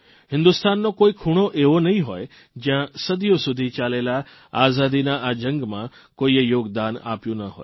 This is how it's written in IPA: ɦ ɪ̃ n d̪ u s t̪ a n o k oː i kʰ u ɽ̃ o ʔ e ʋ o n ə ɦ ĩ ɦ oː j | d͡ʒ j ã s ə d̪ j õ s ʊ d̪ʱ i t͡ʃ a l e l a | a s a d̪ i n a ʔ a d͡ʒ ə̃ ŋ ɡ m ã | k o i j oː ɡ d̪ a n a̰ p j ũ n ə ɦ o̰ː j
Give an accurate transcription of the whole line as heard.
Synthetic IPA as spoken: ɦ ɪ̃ n d̪ u s t̪ a nː o k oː i kʰ u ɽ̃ o ʔ e ʋ o n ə ɦ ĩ ɦ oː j | d͡ʒ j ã s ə d̪ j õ s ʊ d̪ʱ i t͡ʃ a l e l a | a z a d̪ i n a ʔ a d͡ʒ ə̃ ŋ ɡ m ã | k o i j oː ɡ d̪ a n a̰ p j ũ n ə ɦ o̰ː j

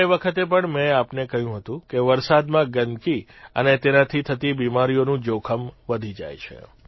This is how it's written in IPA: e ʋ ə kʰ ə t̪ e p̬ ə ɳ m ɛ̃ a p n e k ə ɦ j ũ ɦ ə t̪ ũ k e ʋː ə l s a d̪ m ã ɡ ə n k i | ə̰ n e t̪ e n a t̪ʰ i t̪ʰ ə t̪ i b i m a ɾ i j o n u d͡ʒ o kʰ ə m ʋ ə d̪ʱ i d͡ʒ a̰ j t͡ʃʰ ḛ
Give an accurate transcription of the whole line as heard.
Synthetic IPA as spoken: e ʋ ə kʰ ə t̪ e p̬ ə ɳ m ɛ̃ a p n e k ə ɦ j ũ ɦ ə t̪ ũ k e ʋ ə ɾ s a d̪ m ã ɡ ə n k i | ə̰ n e t̪ e n a t̪ʰ i t̪ʰ ə t̪ i b i m a ɾ i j o n ũ d͡ʒ o kʰ ə m ʋ ə d̪ʱ i d͡ʒ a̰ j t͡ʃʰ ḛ

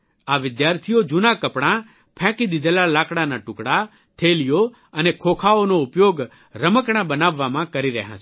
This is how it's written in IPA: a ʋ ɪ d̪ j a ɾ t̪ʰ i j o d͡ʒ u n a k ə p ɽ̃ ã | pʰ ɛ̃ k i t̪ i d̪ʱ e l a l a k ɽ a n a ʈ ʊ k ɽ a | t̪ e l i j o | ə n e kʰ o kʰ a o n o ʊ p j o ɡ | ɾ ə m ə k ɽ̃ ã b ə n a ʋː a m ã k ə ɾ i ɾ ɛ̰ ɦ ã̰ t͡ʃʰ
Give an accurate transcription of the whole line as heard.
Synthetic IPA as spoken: a ʋ ɪ d̪ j a ɾ t̪ʰ i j o d͡ʒ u n a k ə p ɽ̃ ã | pʰ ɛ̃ k i d̪ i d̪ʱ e l a l a k ɽ a n a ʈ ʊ k ɽ a | t̪ʰ e l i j o | ə n e kʰ o kʰ a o n o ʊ p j o ɡ | ɾ ə m ə k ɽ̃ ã b ə n a ʋː a m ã k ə ɾ i ɾ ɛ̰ ɦ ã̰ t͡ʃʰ

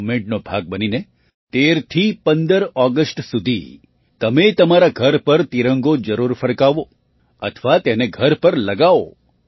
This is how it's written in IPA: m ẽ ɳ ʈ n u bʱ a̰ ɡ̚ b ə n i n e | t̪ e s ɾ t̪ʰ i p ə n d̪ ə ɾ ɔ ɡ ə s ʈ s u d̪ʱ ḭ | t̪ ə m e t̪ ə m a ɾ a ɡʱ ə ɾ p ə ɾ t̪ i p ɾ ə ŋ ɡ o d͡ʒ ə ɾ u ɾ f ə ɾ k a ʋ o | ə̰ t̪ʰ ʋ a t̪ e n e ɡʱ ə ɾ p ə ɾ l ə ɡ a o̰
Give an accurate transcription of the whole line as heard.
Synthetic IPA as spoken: m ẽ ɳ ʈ n o bʱ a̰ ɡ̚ b ə n i n e | t̪ e ɾ t̪ʰ i p ə n d̪ ə ɾ ɔ ɡ ə s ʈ s u d̪ʱ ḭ | t̪ ə m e t̪ ə m a ɾ a ɡʱ ə ɾ p ə ɾ t̪ i ɾ ə ŋ ɡ o d͡ʒ ə ɾ u ɾ f ə ɾ k a ʋ o | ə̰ t̪ʰ ʋ a t̪ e n e ɡʱ ə ɾ p ə ɾ l ə ɡ a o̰

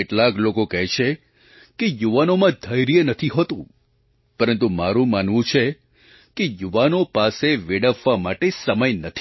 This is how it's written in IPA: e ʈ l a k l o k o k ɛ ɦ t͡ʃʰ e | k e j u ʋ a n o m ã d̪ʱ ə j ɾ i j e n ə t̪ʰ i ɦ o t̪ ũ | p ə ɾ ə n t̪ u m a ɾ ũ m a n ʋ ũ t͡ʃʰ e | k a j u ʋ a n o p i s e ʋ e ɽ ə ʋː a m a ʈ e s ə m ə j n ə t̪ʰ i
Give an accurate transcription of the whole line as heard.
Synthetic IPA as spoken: e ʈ l a k l o k o k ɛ ɦ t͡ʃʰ e | k e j u ʋ a n o m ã d̪ʱ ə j ɾ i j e n ə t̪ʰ i ɦ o t̪ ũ | p ə ɾ ə n t̪ u m a ɾ ũ m a n ʋ ũ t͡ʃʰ e | k e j u ʋ a n o p a s e ʋ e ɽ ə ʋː a m a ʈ e s ə m ə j n ə t̪ʰ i

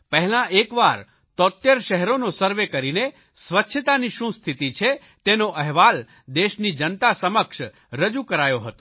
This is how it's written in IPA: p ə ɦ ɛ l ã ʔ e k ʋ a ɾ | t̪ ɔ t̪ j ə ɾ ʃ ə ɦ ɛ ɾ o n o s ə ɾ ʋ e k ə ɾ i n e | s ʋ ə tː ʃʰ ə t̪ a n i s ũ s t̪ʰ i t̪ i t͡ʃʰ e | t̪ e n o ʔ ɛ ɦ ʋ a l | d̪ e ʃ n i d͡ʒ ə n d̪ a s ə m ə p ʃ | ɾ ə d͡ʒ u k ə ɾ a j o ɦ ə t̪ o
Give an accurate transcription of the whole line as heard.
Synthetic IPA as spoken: p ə ɦ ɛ l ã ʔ e k ʋ a ɾ | t̪ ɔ t̪ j ə ɾ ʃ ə ɦ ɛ ɾ o n o s ə ɾ ʋ e k ə ɾ i n e | s ʋ ə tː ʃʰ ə t̪ a n i ʃ ũ s t̪ʰ i t̪ i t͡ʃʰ e | t̪ e n o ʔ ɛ ɦ ʋ a l | d̪ e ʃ n i d͡ʒ ə n t̪ a s ə m ə k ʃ | ɾ ə d͡ʒ u k ə ɾ a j o ɦ ə t̪ o

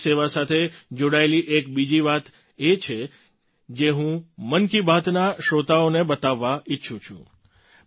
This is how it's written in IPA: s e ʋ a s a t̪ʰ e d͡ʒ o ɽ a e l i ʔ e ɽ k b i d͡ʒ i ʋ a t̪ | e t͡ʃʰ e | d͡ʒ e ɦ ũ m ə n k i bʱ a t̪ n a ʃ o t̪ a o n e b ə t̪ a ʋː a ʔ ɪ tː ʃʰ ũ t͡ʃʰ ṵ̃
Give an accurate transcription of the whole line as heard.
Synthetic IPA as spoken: s e ʋ a s a t̪ʰ e d͡ʒ o ɽ a e l i ʔ e k b i d͡ʒ i ʋ a t̪ | e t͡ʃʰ e | d͡ʒ e ɦ ũ m ə n k i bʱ a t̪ n a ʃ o t̪ a o n e b ə t̪ a ʋː a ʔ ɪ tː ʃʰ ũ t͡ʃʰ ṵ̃

